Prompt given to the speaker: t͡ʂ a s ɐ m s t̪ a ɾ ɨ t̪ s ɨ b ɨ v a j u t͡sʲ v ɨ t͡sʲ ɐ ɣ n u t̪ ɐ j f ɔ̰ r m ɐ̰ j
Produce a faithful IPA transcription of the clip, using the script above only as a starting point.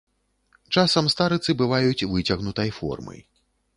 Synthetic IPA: t͡ʂ a s ɐ m s t̪ a ɾ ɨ t̪ s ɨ b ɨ v a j u t͡sʲ v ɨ t͡sʲ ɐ ɣ n u t̪ ɐ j f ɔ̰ r m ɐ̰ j